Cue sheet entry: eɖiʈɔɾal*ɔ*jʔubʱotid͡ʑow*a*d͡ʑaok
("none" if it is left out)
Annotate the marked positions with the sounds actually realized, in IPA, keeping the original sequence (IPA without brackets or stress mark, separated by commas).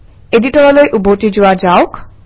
o, a